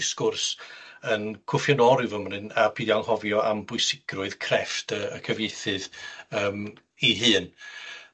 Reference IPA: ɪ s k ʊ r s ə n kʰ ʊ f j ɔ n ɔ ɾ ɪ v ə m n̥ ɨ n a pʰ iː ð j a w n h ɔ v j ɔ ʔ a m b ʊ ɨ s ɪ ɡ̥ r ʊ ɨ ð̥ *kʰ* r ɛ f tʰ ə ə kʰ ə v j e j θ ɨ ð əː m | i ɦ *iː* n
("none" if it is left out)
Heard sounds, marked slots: kʰ, ɨː

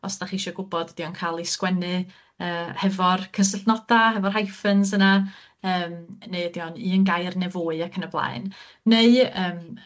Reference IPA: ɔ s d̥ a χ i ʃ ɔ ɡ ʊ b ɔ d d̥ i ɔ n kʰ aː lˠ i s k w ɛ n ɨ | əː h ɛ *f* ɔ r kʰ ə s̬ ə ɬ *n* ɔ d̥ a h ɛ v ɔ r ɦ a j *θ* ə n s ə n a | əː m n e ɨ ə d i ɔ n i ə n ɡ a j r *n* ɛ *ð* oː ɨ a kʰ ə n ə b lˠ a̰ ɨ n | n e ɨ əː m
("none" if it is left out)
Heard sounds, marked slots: v, n, f, n, v

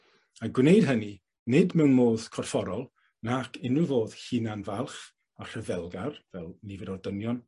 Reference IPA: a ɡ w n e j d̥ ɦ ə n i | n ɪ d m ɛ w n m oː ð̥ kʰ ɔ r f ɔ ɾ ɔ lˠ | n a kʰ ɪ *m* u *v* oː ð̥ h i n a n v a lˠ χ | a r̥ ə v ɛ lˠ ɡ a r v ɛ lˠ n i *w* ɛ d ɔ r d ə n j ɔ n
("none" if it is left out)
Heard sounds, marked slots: n, v, v

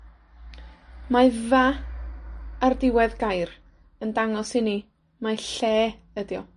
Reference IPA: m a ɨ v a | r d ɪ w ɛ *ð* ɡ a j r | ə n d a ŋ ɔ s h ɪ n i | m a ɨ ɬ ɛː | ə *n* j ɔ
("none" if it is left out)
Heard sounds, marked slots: ð, d

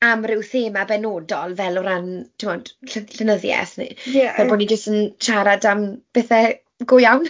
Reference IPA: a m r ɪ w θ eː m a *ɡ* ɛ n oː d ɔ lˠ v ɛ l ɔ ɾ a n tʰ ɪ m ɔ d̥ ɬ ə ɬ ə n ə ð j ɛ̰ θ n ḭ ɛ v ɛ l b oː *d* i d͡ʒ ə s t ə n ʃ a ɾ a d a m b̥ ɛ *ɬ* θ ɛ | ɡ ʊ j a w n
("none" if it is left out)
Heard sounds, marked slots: b, n, none

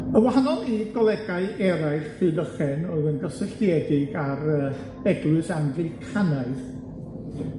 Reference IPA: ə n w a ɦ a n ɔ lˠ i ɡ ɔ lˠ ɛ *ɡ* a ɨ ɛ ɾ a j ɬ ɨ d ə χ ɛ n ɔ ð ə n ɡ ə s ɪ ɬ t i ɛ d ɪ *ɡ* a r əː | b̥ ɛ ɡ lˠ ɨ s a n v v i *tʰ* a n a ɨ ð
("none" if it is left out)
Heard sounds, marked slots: ɡ, ɡ, kʰ

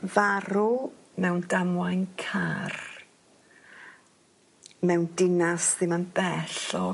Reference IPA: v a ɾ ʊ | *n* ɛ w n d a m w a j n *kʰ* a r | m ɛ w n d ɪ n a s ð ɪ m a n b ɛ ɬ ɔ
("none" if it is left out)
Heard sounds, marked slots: m, kʰ

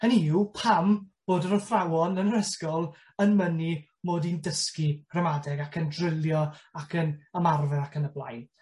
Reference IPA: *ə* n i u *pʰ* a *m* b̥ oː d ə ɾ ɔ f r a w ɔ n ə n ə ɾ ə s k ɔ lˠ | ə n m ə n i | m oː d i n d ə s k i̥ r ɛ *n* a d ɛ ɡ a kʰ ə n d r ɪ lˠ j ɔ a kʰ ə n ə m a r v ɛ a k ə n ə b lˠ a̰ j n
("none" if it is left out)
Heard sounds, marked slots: ə, pʰ, m, m

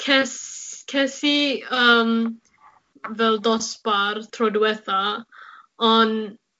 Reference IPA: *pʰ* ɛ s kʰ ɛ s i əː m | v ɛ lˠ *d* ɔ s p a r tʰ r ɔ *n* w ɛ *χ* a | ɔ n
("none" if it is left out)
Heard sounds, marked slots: kʰ, d, d, θ

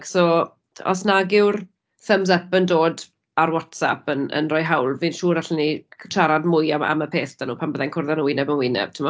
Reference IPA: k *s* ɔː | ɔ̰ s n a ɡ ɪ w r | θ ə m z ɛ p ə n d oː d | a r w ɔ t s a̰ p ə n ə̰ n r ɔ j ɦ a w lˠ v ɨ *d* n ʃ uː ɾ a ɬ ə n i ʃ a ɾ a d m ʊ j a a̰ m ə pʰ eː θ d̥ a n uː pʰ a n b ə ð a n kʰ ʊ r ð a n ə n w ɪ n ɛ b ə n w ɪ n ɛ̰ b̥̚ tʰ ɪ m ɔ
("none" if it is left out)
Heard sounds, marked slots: s, none

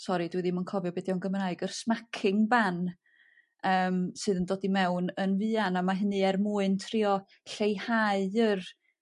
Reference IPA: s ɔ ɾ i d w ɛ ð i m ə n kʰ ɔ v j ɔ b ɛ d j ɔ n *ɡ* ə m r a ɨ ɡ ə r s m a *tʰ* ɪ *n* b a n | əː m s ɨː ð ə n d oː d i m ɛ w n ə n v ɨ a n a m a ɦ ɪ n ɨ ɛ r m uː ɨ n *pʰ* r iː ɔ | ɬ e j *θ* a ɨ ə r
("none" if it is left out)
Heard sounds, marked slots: ɡ, kʰ, ŋ, tʰ, h

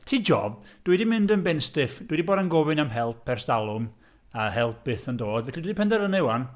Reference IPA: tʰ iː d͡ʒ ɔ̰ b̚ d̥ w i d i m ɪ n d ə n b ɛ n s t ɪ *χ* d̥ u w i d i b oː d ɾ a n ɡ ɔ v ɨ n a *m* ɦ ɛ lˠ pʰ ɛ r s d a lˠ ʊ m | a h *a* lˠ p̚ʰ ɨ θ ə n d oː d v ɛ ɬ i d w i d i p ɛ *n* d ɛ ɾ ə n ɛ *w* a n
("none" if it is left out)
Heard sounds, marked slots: f, m, ɛ, n, w

